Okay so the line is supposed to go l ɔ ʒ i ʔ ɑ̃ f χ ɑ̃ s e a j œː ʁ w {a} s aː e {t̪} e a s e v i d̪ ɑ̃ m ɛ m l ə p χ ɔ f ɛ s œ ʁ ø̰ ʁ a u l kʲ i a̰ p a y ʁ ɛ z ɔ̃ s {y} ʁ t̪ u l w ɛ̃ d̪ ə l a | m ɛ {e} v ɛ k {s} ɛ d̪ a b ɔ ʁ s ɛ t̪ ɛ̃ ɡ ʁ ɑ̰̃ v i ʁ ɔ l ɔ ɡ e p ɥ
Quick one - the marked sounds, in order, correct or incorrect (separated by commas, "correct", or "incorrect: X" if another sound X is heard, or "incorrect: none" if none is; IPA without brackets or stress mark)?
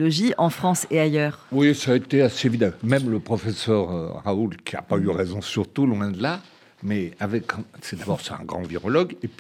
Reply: incorrect: i, correct, correct, incorrect: a, correct